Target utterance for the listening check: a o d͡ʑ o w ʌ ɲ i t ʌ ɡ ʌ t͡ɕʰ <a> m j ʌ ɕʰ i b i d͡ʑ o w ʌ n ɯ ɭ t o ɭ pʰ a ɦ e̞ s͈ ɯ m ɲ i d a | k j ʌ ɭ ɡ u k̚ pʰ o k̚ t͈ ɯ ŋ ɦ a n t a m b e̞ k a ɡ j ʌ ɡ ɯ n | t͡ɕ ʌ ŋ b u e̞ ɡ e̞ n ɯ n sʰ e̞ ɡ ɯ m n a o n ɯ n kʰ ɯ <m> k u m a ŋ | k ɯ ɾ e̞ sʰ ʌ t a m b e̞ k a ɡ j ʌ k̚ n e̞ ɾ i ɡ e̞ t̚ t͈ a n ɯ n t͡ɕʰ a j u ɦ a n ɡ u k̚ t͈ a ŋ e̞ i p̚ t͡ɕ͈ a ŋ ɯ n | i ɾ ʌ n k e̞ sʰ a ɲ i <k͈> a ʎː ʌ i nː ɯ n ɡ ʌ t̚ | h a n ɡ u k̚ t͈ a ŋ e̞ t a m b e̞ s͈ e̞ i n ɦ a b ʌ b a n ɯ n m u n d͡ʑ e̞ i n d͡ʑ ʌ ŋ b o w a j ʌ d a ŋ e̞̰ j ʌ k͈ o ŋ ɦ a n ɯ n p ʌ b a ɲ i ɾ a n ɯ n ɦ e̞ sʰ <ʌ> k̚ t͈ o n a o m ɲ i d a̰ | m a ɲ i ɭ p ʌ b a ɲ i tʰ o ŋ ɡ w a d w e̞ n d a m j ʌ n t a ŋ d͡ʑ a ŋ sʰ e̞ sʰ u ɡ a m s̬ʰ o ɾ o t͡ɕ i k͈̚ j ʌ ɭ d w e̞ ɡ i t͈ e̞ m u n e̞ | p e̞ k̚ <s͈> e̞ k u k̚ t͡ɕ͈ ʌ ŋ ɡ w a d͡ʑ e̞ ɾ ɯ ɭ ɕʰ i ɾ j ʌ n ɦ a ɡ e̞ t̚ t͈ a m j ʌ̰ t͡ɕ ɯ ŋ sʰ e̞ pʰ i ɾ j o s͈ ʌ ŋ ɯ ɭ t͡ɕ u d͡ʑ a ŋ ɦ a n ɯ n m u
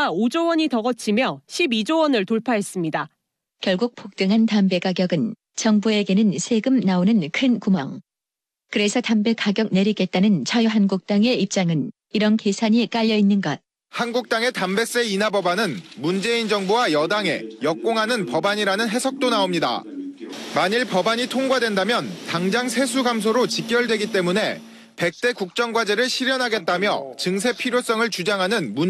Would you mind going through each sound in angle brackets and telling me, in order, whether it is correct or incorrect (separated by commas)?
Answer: incorrect, incorrect, correct, correct, incorrect